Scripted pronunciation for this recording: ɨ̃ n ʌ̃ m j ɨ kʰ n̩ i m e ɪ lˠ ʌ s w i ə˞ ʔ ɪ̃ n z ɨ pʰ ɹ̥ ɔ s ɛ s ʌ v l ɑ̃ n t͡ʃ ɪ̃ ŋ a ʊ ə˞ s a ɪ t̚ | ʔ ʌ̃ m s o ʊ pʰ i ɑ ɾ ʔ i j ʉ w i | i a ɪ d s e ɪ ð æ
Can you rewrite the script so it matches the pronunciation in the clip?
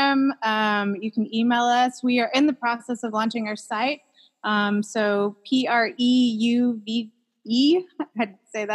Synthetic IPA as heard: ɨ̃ m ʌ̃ m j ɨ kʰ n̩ i m e ɪ lˠ ʌ s w i ə˞ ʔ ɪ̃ n ð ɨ pʰ ɹ̥ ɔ s ɛ s ʌ v l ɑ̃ n t͡ʃ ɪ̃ ŋ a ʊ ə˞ s a ɪ t̚ | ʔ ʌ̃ m s o ʊ pʰ i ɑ ɹ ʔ i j ʉ v i | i a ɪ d s e ɪ ð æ